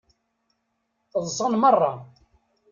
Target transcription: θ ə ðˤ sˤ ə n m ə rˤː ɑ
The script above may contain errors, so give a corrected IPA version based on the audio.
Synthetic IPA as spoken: θ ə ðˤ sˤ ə n m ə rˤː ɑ